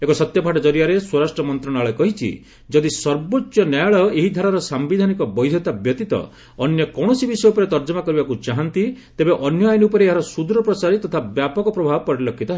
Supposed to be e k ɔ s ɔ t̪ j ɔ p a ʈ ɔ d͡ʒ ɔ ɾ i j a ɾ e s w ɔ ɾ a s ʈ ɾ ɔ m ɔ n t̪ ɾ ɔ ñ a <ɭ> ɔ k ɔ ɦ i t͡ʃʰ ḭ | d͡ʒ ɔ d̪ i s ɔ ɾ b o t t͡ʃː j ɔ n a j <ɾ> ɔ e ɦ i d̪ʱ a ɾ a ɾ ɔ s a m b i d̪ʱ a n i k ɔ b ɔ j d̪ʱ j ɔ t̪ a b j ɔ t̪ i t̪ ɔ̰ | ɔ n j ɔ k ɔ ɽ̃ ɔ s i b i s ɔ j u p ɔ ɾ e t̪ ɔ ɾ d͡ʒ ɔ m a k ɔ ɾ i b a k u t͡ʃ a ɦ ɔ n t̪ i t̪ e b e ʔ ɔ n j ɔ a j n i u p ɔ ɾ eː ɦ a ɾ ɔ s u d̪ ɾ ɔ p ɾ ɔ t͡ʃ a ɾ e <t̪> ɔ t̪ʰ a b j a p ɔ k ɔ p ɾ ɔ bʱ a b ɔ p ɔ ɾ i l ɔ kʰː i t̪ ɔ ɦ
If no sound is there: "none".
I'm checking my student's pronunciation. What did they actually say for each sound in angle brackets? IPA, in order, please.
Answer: ɭ, ɭ, t̪

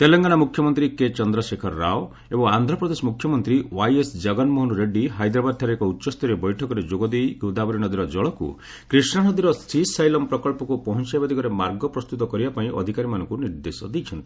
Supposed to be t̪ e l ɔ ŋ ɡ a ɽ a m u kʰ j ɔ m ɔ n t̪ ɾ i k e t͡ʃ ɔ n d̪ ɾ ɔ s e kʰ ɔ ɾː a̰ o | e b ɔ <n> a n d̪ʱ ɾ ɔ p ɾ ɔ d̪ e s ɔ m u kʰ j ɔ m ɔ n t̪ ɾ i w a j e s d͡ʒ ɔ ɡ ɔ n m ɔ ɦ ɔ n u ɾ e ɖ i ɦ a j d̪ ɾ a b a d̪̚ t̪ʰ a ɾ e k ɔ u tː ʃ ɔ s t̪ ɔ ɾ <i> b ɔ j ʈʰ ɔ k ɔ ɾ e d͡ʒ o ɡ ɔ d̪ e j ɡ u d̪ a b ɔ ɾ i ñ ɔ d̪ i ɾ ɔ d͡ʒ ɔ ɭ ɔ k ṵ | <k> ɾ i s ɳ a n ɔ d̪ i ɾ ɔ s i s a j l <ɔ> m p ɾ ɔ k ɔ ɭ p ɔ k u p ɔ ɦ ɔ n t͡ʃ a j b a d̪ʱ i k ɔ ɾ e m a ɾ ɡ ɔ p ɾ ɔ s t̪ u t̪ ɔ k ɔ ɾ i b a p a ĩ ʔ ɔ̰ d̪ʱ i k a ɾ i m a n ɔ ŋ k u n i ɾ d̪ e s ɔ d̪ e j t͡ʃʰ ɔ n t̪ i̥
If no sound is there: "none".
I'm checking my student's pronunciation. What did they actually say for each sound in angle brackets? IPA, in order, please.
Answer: ŋ, e, k, ɔ

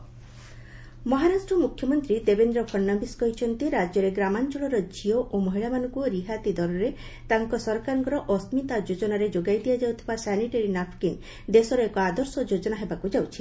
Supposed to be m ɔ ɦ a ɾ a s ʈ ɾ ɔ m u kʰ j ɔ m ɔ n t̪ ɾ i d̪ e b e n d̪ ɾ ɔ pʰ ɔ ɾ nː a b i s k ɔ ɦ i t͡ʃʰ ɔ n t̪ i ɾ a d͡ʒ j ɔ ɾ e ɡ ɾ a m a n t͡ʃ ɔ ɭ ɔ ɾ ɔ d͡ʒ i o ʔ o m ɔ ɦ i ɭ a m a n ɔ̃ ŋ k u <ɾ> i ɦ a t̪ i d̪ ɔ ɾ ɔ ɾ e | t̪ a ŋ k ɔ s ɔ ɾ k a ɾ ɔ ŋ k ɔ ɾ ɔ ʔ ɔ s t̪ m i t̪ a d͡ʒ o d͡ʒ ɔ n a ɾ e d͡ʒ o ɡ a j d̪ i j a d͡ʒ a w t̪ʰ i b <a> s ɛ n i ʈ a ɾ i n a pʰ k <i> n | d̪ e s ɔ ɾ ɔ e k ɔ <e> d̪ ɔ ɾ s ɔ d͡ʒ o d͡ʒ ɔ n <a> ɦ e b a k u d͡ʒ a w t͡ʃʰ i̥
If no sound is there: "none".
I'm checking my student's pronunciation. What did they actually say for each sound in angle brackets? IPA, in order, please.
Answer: ɾ, a, i, a, a

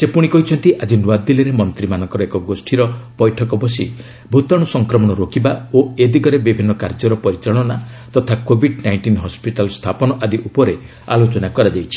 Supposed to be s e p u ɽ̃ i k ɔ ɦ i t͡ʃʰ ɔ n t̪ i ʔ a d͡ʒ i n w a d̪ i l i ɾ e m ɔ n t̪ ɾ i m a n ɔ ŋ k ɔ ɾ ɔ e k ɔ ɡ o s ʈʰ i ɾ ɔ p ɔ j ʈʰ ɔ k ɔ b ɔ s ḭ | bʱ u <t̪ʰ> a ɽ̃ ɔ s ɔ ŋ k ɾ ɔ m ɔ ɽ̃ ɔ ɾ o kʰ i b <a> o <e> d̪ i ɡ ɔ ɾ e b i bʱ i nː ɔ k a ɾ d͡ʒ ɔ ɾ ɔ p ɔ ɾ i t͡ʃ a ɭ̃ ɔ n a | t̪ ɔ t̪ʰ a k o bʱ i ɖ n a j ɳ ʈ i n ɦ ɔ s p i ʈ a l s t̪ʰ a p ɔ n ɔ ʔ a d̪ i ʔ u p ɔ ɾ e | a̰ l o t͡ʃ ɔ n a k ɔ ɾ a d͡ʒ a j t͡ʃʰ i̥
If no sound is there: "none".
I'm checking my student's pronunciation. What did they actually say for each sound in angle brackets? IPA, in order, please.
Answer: t̪, a, e

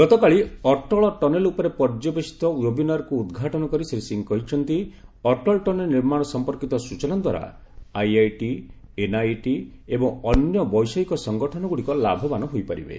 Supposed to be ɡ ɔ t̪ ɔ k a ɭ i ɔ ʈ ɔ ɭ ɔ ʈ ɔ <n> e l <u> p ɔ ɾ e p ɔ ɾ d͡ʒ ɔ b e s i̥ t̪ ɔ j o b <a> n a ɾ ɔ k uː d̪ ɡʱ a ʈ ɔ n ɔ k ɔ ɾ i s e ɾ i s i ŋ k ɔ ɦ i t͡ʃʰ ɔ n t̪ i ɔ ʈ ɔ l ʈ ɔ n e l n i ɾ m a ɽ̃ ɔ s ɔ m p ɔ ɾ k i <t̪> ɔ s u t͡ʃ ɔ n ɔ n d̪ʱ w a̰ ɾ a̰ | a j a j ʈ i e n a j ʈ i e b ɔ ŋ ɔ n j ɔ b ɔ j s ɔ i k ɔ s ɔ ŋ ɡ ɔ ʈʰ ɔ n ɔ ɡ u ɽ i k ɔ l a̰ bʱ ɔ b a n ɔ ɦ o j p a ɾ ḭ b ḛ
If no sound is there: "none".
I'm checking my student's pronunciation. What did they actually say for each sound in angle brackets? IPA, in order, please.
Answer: n, u, i, t̪

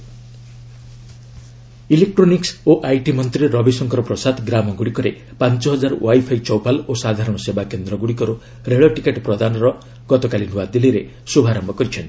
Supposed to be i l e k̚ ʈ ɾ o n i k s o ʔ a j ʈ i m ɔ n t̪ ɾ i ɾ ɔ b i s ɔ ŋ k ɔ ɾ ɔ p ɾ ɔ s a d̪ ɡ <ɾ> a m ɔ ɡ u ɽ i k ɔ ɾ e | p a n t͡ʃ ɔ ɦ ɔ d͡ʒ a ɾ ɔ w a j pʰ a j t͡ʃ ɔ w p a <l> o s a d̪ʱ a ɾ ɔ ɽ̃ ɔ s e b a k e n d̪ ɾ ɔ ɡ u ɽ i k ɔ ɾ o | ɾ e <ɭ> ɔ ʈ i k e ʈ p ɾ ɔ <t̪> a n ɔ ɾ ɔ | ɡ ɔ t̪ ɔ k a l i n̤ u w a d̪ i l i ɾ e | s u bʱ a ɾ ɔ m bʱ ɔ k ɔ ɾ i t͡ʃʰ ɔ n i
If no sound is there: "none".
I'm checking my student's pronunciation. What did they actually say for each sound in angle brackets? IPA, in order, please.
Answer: ɾ, l, ɭ, d̪

